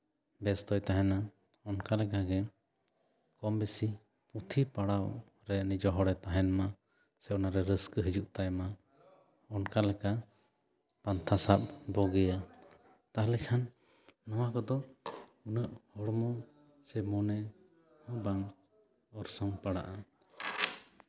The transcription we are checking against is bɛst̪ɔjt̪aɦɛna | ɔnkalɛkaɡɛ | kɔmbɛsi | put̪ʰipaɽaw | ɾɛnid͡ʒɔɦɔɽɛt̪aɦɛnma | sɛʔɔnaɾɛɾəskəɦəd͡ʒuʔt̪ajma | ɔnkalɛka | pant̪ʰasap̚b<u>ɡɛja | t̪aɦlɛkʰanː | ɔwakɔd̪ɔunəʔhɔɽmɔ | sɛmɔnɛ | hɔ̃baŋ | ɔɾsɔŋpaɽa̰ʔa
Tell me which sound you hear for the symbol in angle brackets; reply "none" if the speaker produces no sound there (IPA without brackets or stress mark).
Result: ɔ